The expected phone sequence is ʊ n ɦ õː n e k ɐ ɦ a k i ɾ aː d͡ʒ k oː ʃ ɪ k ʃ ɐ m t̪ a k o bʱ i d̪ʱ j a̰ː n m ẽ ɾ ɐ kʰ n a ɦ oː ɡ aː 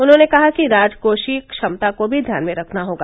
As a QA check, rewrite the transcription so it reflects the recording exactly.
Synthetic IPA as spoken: ʊ n ɦ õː n e k ɐ ɦ a k i ɾ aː d͡ʒ k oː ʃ i k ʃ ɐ m t̪ a k o bʱ i d̪ʱ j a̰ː n m ẽ ɾ ɐ kʰ n a ɦ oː ɡ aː